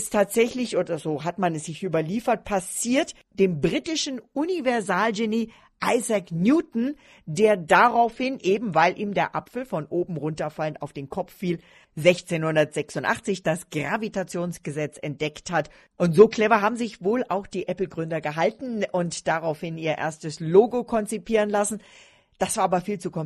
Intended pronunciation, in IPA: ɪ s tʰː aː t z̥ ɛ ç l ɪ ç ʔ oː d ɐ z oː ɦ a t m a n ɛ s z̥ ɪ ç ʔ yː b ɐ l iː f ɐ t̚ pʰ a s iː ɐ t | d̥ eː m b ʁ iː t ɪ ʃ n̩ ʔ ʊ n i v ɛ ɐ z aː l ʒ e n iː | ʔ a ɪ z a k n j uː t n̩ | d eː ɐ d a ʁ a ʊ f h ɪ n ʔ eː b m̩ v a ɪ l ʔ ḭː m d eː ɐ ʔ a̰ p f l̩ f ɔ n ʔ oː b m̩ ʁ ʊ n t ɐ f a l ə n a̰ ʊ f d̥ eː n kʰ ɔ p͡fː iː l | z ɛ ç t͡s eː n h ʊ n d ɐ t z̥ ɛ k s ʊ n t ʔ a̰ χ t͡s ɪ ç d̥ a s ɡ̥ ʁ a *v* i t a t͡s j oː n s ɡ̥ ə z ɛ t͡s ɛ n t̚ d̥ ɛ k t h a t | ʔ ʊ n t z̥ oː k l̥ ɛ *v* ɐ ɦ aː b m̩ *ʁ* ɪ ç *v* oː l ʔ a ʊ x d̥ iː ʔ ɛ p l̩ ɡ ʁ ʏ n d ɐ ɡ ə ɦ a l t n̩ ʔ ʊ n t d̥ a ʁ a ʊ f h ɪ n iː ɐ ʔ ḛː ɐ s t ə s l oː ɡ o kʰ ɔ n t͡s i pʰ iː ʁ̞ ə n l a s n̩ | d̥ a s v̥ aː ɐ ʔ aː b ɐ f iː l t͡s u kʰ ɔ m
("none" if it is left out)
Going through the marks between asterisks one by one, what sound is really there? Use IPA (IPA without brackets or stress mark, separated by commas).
v, v, z, v